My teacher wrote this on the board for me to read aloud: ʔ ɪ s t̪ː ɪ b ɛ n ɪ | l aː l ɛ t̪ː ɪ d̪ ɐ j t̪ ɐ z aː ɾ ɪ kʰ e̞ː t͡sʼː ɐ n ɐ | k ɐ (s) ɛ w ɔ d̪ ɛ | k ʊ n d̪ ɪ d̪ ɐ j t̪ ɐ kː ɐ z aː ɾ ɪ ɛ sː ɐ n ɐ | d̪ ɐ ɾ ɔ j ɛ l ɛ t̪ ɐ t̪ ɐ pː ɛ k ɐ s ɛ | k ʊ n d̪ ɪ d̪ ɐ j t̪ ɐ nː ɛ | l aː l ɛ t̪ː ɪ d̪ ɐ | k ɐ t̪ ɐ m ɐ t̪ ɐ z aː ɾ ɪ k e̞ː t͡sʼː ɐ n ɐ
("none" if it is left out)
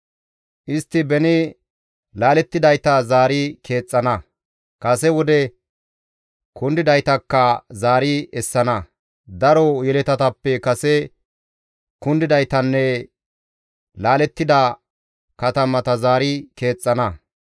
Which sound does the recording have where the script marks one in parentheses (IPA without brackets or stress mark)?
s